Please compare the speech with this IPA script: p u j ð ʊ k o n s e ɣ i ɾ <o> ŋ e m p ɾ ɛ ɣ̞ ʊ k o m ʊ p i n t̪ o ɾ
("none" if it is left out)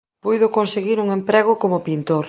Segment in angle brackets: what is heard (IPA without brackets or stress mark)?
u